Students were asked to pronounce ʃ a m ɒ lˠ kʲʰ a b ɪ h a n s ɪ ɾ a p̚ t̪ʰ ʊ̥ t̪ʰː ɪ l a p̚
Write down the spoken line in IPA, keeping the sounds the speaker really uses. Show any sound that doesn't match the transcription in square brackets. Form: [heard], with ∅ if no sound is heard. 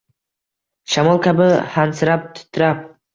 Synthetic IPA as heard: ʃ a m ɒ lˠ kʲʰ a b ɪ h a n s ɪ ɾ a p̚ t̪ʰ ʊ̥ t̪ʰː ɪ [ɾ] a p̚

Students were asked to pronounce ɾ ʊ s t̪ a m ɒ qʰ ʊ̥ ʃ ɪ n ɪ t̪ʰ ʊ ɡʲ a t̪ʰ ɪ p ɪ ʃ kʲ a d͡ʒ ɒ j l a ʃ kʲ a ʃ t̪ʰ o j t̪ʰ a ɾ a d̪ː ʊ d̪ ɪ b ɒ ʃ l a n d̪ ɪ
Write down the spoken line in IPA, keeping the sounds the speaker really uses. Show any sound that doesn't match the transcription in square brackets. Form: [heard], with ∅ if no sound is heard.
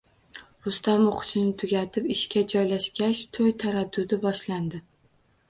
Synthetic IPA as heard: ɾ ʊ s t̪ a m [o] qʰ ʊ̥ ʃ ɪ n ɪ t̪ʰ ʊ ɡʲ a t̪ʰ ɪ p ɪ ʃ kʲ a d͡ʒ ɒ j l a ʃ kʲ a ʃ t̪ʰ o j t̪ʰ a ɾ a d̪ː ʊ d̪ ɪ b ɒ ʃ l a n d̪ ɪ

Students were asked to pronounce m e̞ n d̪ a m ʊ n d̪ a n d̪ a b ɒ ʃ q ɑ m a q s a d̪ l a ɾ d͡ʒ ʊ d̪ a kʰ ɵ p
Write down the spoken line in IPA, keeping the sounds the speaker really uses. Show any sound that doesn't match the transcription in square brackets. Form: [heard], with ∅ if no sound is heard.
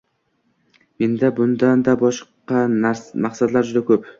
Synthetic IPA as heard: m e̞ n d̪ a [b] ʊ n d̪ a n d̪ a b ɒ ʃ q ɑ m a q s a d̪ l a ɾ d͡ʒ ʊ d̪ a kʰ ɵ p

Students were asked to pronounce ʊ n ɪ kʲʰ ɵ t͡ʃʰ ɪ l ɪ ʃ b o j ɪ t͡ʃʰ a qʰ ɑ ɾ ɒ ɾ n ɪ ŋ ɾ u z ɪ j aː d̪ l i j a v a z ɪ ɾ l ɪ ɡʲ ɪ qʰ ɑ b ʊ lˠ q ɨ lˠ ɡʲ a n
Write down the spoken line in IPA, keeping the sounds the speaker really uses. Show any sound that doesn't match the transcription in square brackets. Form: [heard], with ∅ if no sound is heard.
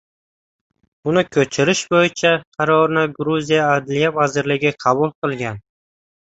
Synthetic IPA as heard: ʊ n ɪ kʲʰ ɵ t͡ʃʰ ɪ [ɾ] ɪ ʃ b o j ɪ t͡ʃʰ a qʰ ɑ ɾ ɒ ɾ n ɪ [ɡ] ɾ u z [i] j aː d̪ l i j a v a z ɪ ɾ l ɪ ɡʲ ɪ qʰ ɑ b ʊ lˠ q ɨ lˠ ɡʲ a n

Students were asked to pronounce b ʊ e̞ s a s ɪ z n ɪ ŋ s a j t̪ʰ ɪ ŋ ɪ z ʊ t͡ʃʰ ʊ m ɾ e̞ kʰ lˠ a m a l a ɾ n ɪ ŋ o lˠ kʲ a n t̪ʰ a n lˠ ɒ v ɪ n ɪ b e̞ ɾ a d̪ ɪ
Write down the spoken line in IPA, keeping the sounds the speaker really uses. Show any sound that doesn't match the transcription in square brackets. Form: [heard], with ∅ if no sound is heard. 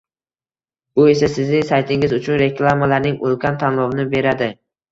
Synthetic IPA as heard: b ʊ e̞ s a s ɪ z n ɪ ŋ s a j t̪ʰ ɪ ŋ ɪ z ʊ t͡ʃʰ ʊ [n] ɾ e̞ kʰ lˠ a m a l a ɾ n ɪ ŋ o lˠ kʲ a n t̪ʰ a n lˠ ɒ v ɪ n ɪ b e̞ ɾ a d̪ ɪ

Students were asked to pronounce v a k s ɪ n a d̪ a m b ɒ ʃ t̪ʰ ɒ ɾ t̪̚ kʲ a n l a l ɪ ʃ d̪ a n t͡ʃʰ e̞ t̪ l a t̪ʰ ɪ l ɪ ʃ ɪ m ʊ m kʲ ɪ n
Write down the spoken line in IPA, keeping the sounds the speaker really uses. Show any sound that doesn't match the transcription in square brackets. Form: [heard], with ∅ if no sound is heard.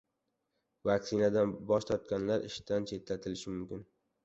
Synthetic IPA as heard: v a k s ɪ n a d̪ a [n] b ɒ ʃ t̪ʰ ɒ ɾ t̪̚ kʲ a n l a [ɾ] ɪ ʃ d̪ a n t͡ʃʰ e̞ t̪ l a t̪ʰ ɪ l ɪ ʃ ɪ m ʊ m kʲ ɪ n

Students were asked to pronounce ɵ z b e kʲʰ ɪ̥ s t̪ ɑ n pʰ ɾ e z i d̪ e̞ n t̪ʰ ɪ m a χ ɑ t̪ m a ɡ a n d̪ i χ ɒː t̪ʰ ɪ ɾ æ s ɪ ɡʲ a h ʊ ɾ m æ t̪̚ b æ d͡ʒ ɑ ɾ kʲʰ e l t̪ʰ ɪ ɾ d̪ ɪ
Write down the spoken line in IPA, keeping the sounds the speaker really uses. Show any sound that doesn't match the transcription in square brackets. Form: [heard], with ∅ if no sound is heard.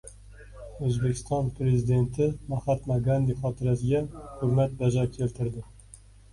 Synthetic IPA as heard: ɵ z b e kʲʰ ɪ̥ s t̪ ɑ n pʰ ɾ e z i d̪ e̞ n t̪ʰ ɪ m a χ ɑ t̪ m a ɡ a n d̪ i χ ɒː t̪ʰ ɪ ɾ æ s ɪ ɡʲ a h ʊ ɾ m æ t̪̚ b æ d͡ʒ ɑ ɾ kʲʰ e l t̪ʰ ɪ ɾ d̪ ɪ

